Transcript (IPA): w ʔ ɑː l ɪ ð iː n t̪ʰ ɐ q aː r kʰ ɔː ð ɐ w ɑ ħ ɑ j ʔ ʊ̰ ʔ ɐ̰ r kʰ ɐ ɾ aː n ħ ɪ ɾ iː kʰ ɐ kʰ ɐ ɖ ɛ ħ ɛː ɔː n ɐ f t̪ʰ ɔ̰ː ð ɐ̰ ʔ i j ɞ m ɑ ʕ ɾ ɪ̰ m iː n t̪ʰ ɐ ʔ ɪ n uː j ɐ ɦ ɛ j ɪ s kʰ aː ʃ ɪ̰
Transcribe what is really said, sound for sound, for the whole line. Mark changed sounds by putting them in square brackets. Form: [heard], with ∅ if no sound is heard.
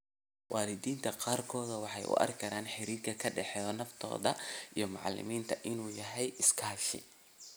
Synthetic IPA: w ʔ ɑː l ɪ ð iː n t̪ʰ ɐ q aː r kʰ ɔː ð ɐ w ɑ ħ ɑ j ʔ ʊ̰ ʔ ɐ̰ r kʰ ɐ ɾ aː n ħ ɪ ɾ iː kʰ ɐ kʰ ɐ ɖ ɛ ħ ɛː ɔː n ɐ f t̪ʰ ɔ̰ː ð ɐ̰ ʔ i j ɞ m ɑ ʕ [l] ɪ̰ m iː n t̪ʰ ɐ ʔ ɪ n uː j ɐ ɦ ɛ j ɪ s kʰ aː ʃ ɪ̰